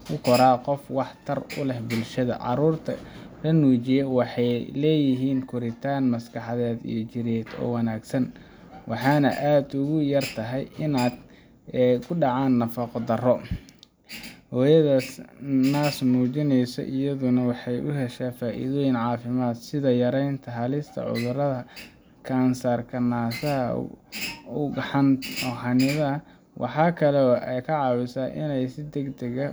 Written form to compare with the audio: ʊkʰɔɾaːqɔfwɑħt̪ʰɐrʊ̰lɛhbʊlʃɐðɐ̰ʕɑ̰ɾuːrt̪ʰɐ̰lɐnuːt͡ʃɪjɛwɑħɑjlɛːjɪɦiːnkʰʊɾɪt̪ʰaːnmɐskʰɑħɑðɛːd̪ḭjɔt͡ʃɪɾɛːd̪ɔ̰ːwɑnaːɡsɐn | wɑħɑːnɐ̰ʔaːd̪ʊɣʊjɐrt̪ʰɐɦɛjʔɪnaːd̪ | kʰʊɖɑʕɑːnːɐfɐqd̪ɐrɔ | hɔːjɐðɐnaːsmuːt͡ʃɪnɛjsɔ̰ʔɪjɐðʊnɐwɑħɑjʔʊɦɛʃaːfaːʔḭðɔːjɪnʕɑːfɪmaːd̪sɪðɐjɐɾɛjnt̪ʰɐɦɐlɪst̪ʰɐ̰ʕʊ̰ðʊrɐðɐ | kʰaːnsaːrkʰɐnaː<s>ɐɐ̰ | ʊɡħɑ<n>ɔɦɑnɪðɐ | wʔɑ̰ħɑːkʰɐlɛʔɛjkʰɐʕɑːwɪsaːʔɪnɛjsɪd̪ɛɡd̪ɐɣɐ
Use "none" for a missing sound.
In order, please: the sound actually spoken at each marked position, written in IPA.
s, n

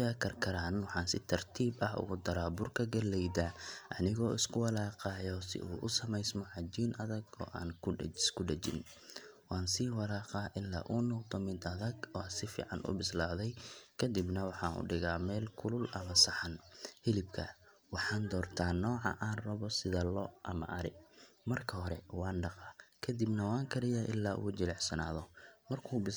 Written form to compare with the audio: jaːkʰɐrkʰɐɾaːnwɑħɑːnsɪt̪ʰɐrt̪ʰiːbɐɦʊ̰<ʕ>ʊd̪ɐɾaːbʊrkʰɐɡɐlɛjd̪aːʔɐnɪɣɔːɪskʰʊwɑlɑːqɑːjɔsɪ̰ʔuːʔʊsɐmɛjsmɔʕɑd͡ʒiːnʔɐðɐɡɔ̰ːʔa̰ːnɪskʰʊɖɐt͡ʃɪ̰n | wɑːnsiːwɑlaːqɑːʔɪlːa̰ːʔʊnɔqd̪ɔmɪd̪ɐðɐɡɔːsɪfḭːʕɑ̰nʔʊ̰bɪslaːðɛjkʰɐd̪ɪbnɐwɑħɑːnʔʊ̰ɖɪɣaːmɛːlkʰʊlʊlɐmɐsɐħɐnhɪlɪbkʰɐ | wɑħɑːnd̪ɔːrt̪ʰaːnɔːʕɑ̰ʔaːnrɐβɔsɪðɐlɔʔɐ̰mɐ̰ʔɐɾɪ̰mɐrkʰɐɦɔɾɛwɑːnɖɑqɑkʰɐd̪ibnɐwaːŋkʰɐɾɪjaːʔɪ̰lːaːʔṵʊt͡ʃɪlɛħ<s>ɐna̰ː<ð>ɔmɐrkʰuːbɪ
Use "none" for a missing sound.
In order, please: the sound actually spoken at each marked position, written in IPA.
ɣ, s, ð

